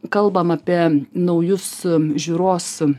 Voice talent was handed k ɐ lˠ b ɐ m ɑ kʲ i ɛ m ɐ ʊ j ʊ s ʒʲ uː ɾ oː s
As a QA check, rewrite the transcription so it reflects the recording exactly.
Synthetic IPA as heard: k ɐ lˠ b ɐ m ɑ pʲ i ɛ n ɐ ʊ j ʊ s ʒʲ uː ɾ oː s